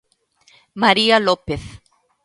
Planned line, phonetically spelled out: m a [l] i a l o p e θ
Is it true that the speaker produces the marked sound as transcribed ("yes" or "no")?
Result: no